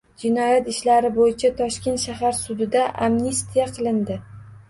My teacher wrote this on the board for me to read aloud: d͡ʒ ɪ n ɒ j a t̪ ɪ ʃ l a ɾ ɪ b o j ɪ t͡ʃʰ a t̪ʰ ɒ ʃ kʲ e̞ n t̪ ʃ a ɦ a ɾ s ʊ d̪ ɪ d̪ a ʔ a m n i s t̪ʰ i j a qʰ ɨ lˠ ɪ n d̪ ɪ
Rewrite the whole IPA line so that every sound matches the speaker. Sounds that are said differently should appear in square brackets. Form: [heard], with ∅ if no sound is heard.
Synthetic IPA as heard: d͡ʒ ɪ n ɒ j a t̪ ɪ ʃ l a ɾ ɪ b o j ɪ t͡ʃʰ a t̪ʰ ɒ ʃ kʲ e̞ n t̪ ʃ a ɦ a ɾ s ʊ d̪ ɪ d̪ a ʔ a m n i s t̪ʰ i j a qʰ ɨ lˠ ɪ n d̪ ɪ

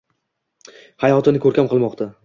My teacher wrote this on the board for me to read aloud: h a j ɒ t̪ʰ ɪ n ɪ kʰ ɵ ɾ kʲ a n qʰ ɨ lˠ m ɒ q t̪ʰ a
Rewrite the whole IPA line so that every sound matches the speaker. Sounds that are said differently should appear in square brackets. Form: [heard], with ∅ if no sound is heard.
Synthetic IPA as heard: h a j ɒ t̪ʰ ɪ n ɪ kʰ ɵ ɾ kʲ a [m] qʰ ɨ lˠ m ɒ q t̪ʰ a

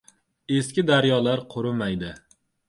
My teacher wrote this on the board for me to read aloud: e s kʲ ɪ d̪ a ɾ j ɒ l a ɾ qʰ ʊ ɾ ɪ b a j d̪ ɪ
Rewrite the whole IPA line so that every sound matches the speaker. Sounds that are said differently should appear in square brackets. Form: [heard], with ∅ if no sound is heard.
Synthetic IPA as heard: e s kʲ ɪ d̪ a ɾ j ɒ l a ɾ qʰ ʊ ɾ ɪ [m] a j d̪ ɪ

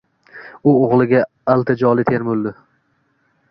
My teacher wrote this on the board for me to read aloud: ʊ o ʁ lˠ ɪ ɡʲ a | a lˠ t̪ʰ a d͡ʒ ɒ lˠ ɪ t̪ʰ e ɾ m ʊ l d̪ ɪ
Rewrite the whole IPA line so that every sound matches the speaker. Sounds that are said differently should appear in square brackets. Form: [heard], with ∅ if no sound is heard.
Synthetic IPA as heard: ʊ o ʁ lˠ ɪ ɡʲ a | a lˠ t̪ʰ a d͡ʒ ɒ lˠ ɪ t̪ʰ e ɾ m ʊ l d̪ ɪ

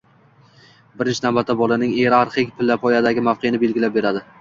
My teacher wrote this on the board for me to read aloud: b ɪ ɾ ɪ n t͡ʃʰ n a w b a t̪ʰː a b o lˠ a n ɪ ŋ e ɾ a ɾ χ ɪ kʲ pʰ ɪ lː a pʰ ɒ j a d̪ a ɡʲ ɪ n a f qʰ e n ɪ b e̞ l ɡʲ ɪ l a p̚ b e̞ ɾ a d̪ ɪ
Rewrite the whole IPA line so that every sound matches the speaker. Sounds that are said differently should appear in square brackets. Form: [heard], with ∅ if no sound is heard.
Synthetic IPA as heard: b ɪ ɾ ɪ n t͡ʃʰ n a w b a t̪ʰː a b [ɒ] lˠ a n ɪ ŋ e ɾ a ɾ χ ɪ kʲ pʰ ɪ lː a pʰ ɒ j a d̪ a ɡʲ ɪ [m] a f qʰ e n ɪ b e̞ l ɡʲ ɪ l a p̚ b e̞ ɾ a d̪ ɪ

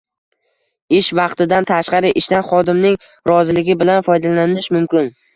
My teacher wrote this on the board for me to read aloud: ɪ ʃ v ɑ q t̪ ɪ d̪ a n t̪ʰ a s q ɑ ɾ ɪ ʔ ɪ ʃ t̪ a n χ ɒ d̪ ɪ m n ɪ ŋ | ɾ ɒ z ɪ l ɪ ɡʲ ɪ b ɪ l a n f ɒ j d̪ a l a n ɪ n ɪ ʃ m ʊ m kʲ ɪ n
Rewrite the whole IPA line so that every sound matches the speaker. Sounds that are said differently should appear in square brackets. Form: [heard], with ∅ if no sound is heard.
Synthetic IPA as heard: ɪ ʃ v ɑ q t̪ ɪ d̪ a n t̪ʰ a [ʃ] q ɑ ɾ ɪ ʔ ɪ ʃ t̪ a n χ ɒ d̪ ɪ m n ɪ ŋ | ɾ ɒ z ɪ l ɪ ɡʲ ɪ b ɪ l a n f ɒ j d̪ a l a n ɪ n ɪ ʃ m ʊ m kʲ ɪ n

